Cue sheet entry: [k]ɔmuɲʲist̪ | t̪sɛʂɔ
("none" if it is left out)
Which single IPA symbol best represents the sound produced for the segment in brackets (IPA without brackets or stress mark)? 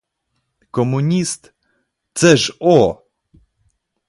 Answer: k